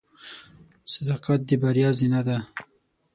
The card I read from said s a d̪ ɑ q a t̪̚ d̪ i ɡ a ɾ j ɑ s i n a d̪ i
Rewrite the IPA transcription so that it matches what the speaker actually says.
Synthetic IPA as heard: s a d̪ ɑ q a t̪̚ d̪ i b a ɾ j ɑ z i n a d̪ a